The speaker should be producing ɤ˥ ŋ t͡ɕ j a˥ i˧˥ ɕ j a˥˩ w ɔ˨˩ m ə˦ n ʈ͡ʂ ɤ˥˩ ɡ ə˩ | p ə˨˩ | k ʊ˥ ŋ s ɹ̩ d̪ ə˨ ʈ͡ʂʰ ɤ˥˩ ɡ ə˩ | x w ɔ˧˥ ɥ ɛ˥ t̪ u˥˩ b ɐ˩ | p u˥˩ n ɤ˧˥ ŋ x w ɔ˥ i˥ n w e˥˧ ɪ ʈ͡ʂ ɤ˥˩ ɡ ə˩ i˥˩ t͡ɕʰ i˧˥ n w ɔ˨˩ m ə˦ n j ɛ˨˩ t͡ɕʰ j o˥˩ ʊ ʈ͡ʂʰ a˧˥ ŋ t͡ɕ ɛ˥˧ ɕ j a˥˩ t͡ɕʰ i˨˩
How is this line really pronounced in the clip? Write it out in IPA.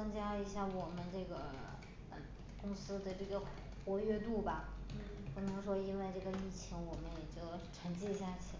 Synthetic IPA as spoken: ɤ˥ ŋ t͡ɕ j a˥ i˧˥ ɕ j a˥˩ w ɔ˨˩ m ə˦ n ʈ͡ʂ ɤ˥˩ ɡ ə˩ | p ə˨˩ | k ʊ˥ ŋ s ɹ̩ d̪ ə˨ ʈ͡ʂ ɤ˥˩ ɡ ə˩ | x w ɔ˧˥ ɥ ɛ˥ t̪ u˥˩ b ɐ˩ | p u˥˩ n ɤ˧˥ ŋ ʂ w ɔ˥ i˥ n w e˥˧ ɪ ʈ͡ʂ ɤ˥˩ ɡ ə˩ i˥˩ t͡ɕʰ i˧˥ ŋ w ɔ˨˩ m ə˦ n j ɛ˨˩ t͡ɕ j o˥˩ ʊ ʈ͡ʂʰ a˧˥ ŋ t͡ɕ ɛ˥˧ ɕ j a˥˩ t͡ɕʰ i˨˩